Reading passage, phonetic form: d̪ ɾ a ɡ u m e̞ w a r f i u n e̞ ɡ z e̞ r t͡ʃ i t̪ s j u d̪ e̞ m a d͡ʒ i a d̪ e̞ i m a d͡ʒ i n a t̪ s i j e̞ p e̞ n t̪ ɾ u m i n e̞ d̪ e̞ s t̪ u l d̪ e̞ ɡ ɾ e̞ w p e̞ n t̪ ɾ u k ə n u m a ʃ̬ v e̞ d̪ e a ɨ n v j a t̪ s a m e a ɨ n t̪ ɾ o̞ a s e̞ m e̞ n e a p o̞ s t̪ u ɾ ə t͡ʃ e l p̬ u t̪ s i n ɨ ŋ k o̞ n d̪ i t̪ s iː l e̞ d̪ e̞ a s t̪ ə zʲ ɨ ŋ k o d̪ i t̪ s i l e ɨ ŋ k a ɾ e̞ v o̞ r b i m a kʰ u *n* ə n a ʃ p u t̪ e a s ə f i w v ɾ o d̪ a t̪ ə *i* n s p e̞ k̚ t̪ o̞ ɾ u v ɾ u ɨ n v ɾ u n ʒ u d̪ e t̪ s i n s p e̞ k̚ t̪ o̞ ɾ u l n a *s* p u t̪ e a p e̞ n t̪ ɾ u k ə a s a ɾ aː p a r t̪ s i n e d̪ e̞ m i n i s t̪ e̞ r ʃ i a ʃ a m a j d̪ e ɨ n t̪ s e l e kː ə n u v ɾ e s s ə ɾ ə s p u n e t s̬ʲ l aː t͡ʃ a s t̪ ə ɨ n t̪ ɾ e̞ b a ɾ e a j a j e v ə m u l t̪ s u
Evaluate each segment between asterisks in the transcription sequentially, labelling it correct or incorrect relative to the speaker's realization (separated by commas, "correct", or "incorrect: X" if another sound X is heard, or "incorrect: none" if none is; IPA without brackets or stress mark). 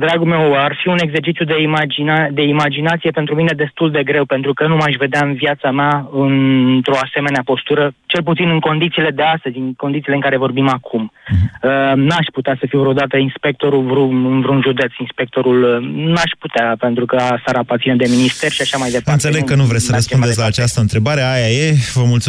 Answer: incorrect: m, correct, incorrect: ʃ